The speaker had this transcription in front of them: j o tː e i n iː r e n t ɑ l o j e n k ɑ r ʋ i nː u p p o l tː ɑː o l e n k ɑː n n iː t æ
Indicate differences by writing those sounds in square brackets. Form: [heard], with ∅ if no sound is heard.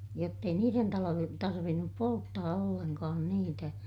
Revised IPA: j o tː e i n iː r e n t ɑ l o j e n [t] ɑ r ʋ i nː u p p o l tː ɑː o [lː] e n k ɑː n n iː t æ